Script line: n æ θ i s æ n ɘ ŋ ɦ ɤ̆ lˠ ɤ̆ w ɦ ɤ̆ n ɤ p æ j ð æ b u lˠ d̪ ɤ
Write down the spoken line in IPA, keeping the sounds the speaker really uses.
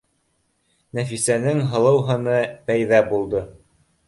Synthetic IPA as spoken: n æ f i s æ n ɘ ŋ ɦ ɤ̆ lˠ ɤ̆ w ɦ ɤ̆ n ɤ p æ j ð æ b u lˠ d̪ ɤ